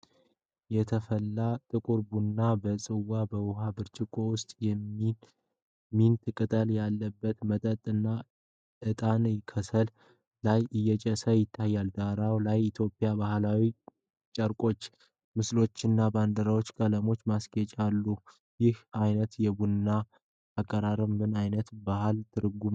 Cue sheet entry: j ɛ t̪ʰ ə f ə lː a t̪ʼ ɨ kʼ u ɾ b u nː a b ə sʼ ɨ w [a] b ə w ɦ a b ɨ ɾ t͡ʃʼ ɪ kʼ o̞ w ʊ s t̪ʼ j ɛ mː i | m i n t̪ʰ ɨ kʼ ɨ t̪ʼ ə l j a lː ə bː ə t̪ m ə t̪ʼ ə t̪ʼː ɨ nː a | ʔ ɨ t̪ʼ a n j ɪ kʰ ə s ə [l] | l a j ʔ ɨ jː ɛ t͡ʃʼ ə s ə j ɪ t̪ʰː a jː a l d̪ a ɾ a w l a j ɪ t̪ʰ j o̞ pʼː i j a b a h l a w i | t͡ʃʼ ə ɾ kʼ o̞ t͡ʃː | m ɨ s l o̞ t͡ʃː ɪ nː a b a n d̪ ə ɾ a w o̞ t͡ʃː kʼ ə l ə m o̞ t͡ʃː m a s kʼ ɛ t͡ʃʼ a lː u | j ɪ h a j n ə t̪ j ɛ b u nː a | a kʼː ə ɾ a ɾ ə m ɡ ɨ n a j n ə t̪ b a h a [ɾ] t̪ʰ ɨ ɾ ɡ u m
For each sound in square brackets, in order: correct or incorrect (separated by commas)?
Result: correct, correct, incorrect